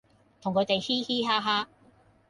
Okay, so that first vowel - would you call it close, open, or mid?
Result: close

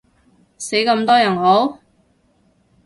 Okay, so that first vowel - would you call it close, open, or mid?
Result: mid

